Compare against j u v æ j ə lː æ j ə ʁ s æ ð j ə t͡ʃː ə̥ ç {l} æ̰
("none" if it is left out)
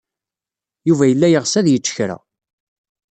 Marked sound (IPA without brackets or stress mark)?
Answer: ɾ